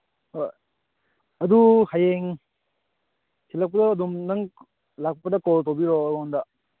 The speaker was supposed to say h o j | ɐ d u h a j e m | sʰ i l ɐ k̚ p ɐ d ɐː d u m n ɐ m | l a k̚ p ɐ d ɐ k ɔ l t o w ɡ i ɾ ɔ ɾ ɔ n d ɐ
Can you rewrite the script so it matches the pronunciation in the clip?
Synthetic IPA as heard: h o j | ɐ d u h a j e ŋ | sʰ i l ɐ k̚ p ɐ d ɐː d u m n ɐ ŋ | l a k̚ p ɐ d ɐ k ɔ l t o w b i ɾ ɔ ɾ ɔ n d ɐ